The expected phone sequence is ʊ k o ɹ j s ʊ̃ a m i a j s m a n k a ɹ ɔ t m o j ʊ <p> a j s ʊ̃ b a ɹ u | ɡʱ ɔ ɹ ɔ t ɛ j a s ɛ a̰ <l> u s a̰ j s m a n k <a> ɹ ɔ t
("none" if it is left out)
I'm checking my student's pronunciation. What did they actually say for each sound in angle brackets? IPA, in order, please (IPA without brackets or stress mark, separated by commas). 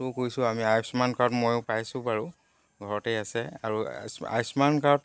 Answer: p, ɹ, a